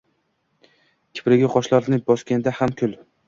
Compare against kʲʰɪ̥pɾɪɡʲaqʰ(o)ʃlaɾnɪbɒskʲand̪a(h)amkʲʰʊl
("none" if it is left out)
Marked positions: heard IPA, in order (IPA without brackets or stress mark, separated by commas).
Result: ɒ, h